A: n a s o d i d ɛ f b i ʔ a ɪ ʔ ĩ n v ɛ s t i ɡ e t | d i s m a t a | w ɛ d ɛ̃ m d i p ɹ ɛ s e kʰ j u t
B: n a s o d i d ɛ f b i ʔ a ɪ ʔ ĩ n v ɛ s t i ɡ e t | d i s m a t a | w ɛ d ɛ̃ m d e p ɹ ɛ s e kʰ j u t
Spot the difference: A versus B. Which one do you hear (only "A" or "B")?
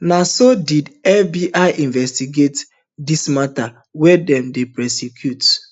B